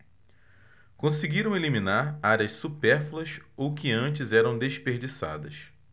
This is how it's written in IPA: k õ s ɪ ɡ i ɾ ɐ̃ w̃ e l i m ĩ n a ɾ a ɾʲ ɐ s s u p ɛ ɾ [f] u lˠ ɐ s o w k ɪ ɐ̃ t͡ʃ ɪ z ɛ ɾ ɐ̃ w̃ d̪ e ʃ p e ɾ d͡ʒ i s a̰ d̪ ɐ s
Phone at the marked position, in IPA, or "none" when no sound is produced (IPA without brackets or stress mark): f